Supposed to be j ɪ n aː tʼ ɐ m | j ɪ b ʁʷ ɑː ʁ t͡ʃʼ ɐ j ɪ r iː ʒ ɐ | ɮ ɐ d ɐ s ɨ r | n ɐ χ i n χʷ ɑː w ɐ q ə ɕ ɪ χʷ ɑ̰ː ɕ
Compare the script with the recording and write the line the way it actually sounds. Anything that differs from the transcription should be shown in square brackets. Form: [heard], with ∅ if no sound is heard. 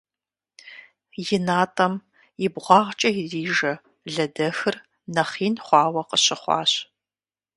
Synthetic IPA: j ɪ n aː tʼ ɐ m | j ɪ b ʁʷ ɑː ʁ t͡ʃʼ ɐ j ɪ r iː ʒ ɐ | ɮ ɐ d ɐ [x] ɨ r | n ɐ χ [iː] n χʷ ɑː w ɐ q ə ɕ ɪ χʷ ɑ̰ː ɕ